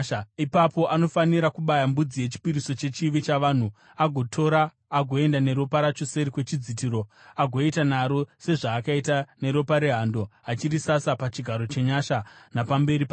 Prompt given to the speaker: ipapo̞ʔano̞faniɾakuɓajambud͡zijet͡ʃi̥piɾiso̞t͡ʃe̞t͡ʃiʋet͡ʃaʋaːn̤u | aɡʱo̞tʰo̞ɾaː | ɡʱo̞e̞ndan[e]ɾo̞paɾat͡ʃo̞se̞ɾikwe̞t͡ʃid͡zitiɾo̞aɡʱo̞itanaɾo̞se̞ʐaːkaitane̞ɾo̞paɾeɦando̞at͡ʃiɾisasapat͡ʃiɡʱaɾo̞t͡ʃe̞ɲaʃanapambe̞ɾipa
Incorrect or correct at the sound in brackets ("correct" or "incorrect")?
correct